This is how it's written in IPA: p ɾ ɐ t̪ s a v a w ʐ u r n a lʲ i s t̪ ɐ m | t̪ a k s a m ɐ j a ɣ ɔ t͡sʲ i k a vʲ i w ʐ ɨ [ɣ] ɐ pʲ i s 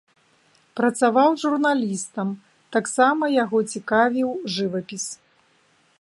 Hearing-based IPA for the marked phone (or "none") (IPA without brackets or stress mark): v